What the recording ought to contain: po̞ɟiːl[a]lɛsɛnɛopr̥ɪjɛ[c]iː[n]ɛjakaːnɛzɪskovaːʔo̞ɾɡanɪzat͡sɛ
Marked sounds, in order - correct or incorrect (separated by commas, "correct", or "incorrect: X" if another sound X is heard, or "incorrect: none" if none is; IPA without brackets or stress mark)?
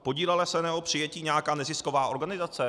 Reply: incorrect: ɛ, correct, incorrect: ɲ